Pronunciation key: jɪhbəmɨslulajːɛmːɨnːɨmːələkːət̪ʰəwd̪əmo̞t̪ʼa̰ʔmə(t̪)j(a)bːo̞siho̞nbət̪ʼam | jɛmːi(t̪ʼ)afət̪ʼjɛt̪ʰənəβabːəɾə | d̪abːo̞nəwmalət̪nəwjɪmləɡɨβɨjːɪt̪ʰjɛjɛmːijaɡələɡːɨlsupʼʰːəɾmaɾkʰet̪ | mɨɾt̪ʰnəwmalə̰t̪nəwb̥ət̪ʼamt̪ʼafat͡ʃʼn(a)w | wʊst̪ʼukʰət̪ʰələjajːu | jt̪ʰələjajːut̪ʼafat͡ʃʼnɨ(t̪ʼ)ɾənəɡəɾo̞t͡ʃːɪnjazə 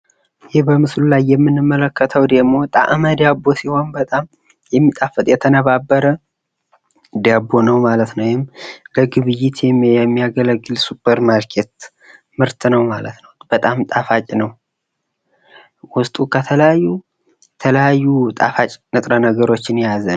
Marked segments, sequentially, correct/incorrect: incorrect: d̪, correct, correct, incorrect: ə, correct

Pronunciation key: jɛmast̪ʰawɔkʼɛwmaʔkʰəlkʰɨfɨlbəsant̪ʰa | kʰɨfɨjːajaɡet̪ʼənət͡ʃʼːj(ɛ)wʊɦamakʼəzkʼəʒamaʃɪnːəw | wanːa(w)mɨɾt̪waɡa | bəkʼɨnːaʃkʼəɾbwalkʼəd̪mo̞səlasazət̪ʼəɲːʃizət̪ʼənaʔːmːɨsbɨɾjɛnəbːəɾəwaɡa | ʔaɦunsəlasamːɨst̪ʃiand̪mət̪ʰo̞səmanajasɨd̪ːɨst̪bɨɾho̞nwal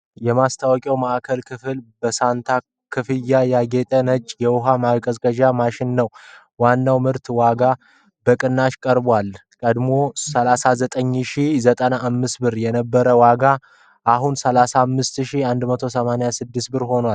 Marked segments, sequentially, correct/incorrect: correct, correct

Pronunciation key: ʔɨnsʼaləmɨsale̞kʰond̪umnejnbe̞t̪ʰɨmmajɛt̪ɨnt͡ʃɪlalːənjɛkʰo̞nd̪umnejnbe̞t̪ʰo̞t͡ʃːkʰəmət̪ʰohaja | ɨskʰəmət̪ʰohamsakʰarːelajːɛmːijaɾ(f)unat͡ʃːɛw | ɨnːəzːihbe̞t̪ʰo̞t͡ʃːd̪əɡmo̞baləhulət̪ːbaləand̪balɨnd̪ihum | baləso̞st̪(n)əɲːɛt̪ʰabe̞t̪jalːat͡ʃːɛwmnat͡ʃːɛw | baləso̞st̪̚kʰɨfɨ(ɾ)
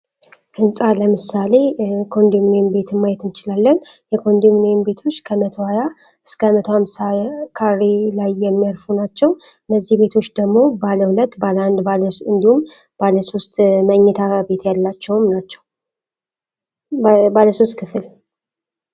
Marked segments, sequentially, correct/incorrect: correct, incorrect: m, incorrect: l

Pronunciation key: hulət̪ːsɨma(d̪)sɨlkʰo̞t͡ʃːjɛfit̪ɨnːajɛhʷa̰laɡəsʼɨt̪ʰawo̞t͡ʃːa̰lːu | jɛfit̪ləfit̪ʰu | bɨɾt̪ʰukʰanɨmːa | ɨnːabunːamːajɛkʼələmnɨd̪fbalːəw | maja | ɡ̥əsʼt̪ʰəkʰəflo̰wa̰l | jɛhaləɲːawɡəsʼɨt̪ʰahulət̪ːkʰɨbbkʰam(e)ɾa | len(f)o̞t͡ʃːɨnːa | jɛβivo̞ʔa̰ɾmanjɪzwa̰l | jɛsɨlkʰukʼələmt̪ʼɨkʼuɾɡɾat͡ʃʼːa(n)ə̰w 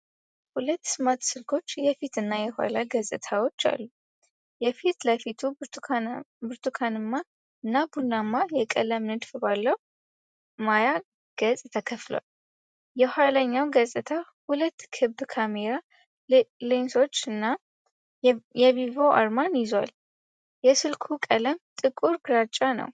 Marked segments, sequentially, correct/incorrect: incorrect: t̪, correct, incorrect: s, correct

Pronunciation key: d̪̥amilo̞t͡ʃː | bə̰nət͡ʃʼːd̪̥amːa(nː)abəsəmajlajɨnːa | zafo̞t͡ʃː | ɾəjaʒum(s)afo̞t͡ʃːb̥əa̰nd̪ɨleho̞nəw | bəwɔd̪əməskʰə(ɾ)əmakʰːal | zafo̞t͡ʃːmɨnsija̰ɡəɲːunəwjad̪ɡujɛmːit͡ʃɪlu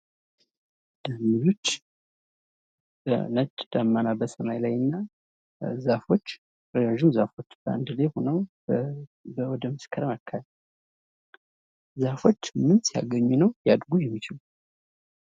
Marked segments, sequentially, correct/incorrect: incorrect: n, incorrect: z, correct

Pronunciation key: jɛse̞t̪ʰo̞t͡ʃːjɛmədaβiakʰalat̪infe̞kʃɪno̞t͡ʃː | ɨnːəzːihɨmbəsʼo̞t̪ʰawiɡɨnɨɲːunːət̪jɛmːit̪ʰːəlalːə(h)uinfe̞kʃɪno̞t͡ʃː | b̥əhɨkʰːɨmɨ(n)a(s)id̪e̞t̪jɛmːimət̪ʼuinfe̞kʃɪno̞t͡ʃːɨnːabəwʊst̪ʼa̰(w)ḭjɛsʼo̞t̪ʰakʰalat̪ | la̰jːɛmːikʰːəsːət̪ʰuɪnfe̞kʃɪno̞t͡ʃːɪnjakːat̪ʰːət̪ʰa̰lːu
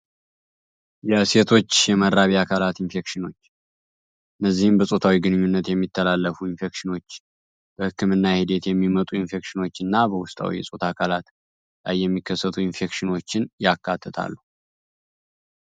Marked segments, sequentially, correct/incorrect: incorrect: f, incorrect: nː, incorrect: h, correct

